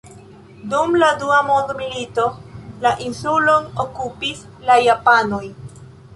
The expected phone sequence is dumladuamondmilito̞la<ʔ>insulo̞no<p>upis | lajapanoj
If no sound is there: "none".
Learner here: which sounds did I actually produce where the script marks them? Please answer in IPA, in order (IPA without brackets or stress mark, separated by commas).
ʔ, k